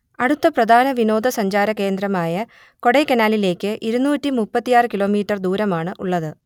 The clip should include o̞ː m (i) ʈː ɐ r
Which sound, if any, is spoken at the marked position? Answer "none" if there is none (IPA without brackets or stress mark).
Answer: iː